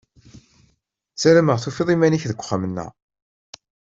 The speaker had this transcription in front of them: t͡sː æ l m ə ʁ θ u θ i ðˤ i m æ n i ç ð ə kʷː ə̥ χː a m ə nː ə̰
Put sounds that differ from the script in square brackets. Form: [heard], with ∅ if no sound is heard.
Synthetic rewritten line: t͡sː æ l m ə ʁ θ u [f] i ðˤ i m æ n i ç ð ə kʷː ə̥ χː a m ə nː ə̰